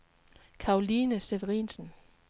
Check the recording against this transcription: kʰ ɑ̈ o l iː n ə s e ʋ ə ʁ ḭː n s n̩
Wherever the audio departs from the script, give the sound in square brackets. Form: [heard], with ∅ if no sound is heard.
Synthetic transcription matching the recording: kʰ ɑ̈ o l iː n ə s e ʋ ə ʁ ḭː n s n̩

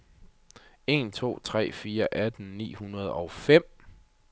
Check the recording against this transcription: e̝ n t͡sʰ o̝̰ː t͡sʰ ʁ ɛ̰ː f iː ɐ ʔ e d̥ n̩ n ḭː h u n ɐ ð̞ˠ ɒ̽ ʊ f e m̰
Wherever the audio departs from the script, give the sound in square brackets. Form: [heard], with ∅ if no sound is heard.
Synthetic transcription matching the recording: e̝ n t͡sʰ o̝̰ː t͡sʰ ʁ ɛ̰ː f iː ɐ ʔ [æ] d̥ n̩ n ḭː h u n ɐ ð̞ˠ ɒ̽ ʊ f e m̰

